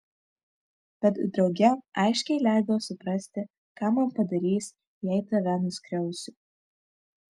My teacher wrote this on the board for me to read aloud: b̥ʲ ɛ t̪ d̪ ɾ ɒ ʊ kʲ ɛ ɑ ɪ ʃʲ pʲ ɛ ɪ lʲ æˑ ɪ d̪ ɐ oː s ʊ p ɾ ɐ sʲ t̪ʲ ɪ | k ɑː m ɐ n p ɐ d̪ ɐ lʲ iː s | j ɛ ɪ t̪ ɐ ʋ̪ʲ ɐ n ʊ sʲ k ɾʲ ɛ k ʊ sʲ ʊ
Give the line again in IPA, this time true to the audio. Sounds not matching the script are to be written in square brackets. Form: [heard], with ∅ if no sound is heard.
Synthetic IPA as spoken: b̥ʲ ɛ t̪ d̪ ɾ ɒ ʊ [ɡʲ] ɛ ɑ ɪ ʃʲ [kʲ] ɛ ɪ lʲ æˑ ɪ d̪ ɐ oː s ʊ p ɾ ɐ sʲ t̪ʲ ɪ | k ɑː m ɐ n p ɐ d̪ ɐ [ɾʲ] iː s | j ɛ ɪ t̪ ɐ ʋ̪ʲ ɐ n ʊ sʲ k ɾʲ ɛ [∅] ʊ sʲ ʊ